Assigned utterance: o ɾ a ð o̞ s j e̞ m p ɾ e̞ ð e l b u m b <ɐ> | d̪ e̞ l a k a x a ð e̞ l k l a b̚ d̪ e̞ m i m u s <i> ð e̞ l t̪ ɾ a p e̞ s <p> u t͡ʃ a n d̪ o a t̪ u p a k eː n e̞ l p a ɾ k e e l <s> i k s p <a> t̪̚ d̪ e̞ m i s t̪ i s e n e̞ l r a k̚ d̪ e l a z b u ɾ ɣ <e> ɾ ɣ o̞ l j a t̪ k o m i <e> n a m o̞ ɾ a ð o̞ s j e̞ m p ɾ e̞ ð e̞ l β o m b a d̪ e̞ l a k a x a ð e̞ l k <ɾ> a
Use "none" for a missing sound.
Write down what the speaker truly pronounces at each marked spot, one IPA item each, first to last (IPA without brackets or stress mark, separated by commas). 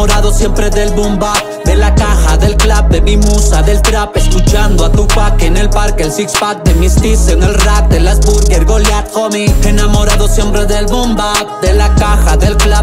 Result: a, a, k, s, a, e, e, l